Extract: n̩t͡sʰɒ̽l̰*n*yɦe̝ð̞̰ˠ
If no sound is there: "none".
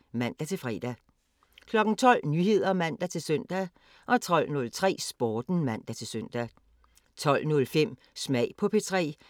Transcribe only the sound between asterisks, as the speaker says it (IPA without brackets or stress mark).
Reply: n